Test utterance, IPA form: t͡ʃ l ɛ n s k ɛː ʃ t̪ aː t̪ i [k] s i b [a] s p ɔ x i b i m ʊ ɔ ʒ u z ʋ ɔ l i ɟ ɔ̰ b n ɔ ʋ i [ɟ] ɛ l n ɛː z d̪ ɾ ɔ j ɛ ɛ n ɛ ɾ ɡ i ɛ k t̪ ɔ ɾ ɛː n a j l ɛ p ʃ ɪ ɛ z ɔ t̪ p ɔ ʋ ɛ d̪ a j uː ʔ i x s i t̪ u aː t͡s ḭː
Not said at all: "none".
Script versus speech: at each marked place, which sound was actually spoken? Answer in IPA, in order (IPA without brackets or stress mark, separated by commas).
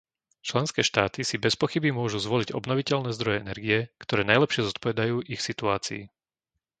none, ɛ, c